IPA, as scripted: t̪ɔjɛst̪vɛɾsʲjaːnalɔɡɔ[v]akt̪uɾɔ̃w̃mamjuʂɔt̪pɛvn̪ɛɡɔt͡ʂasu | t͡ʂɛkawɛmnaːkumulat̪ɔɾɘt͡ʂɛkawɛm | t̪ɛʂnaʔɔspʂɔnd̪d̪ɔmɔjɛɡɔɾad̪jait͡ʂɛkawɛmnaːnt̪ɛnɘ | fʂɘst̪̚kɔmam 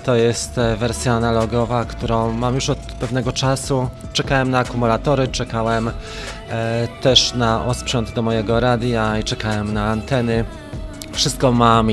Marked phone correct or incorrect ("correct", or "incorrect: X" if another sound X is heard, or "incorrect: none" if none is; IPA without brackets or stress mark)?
correct